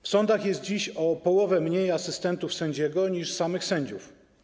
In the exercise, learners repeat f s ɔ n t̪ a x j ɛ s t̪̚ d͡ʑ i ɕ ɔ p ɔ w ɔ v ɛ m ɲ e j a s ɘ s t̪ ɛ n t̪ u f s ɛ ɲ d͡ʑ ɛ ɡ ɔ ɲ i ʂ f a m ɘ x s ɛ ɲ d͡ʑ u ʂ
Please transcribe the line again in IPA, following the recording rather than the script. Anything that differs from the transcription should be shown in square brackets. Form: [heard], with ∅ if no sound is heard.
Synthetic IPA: f s ɔ n [d̪] a x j ɛ s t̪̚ d͡ʑ i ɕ ɔ p ɔ w ɔ v ɛ m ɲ e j a s ɘ s t̪ ɛ n t̪ u f s ɛ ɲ d͡ʑ ɛ ɡ ɔ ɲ i ʂ [s] a m ɘ x s ɛ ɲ d͡ʑ u [f]